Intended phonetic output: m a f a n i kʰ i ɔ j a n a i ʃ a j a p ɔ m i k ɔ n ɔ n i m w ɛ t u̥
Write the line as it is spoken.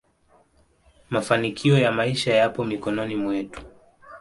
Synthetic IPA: m a f a n i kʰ i ɔ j a m a i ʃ a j a p ɔ m i k ɔ n ɔ n i m w ɛ t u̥